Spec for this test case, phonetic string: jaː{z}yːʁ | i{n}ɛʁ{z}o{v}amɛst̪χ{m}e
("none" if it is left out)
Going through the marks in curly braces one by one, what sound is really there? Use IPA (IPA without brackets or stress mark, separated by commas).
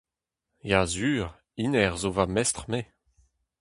z, n, z, v, m